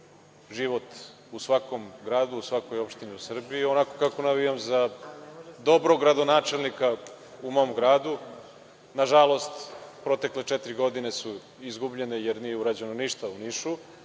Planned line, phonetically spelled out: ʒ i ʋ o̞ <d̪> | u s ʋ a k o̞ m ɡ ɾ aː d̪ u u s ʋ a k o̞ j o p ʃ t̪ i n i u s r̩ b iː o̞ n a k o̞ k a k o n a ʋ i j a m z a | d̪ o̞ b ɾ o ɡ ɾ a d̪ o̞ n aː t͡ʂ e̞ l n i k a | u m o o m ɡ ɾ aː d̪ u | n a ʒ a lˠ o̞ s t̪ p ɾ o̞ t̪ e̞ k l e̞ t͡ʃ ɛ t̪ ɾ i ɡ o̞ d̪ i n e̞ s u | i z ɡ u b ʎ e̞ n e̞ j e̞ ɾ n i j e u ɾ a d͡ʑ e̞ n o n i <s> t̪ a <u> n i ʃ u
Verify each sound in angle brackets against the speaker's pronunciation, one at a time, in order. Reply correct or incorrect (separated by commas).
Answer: incorrect, incorrect, correct